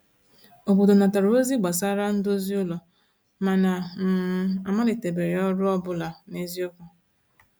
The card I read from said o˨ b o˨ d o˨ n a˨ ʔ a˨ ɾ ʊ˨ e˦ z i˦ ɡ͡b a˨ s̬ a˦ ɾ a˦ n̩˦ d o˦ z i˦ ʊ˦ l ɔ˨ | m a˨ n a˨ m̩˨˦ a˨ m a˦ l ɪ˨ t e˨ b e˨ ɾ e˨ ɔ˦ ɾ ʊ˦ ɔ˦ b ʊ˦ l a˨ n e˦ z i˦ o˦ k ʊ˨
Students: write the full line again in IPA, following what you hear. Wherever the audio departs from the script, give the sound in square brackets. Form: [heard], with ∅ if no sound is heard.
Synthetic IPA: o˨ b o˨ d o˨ n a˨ [t] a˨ ɾ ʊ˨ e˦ z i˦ ɡ͡b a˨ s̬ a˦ ɾ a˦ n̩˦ d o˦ z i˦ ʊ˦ l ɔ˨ | m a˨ n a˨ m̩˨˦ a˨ m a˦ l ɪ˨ t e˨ b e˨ ɾ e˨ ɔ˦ ɾ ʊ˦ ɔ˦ b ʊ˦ l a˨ n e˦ z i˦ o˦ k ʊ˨